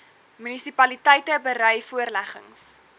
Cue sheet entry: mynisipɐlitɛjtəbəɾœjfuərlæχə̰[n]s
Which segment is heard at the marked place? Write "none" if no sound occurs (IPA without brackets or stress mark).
ŋ